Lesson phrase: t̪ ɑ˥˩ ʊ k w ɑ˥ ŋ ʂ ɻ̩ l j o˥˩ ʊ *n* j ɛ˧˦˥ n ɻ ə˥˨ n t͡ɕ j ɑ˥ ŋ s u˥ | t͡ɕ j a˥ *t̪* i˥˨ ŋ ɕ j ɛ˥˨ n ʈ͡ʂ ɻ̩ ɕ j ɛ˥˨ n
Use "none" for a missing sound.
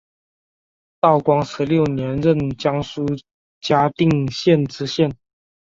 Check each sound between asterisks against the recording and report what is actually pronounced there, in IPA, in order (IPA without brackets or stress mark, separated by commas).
n, t̪